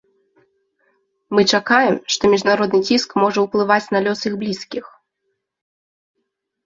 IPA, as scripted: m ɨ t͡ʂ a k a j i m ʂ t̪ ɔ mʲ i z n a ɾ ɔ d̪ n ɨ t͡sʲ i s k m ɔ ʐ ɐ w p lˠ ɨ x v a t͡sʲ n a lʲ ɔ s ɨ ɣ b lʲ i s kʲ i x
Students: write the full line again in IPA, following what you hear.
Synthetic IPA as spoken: m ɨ t͡ʂ a k a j ɛ m ʂ t̪ ɔ mʲ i ʐ n a ɾ ɔ d̪ n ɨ t͡sʲ i s k m ɔ ʐ ɐ w p lˠ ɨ v a t͡sʲ n a lʲ ɔ s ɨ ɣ b lʲ i s kʲ i x